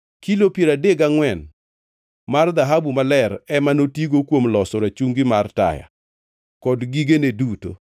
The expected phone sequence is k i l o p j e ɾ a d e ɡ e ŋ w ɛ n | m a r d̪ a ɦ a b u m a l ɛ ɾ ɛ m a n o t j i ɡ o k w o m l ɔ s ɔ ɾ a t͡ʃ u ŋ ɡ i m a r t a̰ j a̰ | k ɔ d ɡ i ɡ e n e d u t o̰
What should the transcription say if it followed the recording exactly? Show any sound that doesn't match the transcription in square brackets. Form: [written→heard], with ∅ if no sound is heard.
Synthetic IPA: k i l o p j e ɾ a d e ɡ [e→a] ŋ w ɛ n | m a r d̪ a ɦ a b u m a l ɛ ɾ ɛ m a n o t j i ɡ o k w o m l ɔ s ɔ ɾ a t͡ʃ u ŋ ɡ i m a r t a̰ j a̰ | k ɔ d ɡ i ɡ e n e d u t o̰